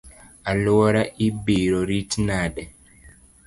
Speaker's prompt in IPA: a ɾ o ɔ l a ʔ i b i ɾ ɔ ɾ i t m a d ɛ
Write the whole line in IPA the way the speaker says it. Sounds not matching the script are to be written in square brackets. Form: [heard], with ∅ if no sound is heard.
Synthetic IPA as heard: a [l] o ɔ [ɾ] a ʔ i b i ɾ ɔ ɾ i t [n] a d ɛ